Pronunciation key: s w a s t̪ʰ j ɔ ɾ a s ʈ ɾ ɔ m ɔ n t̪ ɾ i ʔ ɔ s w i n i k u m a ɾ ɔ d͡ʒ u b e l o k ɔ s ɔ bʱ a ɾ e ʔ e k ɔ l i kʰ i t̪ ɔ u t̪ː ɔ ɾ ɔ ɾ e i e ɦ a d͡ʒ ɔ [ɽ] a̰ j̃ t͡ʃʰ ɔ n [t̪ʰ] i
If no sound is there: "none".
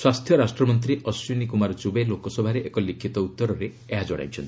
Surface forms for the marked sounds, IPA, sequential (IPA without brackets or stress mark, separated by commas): ɽ, t̪